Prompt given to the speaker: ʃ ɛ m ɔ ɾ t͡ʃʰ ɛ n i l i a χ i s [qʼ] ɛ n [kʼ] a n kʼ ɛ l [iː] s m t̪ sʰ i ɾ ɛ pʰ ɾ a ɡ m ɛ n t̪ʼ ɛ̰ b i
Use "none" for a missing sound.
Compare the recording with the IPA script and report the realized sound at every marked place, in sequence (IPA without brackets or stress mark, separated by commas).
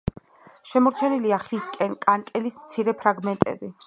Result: kʼ, kʼ, i